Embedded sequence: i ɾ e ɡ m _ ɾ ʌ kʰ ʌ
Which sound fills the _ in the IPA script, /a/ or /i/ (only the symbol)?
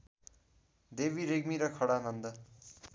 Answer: i